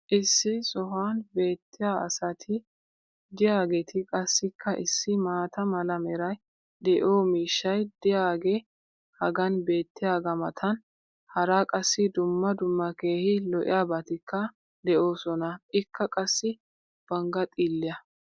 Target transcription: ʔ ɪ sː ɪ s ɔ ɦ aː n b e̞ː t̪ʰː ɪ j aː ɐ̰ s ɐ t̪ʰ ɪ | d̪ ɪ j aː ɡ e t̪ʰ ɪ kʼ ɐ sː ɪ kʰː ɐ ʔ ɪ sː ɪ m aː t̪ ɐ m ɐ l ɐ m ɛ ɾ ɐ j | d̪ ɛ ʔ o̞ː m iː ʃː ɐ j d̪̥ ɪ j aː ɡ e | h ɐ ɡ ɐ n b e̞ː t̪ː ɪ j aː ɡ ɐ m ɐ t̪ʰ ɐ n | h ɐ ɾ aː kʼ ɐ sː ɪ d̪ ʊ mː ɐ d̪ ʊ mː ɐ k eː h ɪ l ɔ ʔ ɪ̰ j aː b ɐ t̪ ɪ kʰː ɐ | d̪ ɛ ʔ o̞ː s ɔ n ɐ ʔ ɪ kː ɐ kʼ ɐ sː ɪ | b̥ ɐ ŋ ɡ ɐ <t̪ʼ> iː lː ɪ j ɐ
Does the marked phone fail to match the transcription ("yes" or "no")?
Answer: no